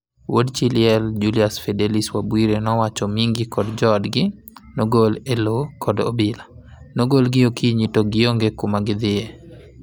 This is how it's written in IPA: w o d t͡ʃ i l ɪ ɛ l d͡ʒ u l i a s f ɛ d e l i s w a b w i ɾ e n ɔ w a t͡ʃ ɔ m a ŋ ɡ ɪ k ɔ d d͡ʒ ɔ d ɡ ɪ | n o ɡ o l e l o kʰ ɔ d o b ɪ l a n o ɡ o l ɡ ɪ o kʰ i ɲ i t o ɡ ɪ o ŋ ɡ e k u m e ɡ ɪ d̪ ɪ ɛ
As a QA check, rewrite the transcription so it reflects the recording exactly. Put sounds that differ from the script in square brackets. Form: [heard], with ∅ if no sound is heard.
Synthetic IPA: w o d t͡ʃ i l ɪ ɛ l d͡ʒ u l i a s f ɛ d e l i s w a b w i ɾ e n ɔ w a t͡ʃ ɔ m [i] ŋ ɡ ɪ k ɔ d d͡ʒ ɔ d ɡ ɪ | n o ɡ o l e l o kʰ ɔ d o b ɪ l a n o ɡ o l ɡ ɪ o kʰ i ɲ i t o ɡ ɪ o ŋ ɡ e k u m [a] ɡ ɪ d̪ ɪ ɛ